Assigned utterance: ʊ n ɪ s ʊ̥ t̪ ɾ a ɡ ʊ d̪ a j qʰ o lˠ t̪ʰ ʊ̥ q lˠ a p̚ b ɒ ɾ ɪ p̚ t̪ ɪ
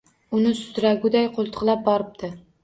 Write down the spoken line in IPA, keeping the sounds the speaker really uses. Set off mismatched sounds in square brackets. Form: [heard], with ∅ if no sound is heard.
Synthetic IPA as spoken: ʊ n ɪ s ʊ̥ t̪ ɾ a ɡ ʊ d̪ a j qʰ o lˠ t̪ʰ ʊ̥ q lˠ a p̚ b ɒ ɾ ɪ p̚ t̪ ɪ